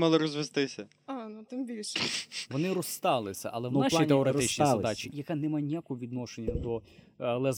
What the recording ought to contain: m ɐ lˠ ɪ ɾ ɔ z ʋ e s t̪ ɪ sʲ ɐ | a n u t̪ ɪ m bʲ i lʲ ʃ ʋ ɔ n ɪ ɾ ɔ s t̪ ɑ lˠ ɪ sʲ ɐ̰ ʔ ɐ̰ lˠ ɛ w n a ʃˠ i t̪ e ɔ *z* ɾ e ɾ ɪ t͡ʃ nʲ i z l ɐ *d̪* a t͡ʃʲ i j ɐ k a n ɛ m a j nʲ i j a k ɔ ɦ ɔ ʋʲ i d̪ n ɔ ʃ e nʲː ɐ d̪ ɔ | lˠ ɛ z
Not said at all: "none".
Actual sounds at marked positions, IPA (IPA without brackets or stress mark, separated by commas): none, d̪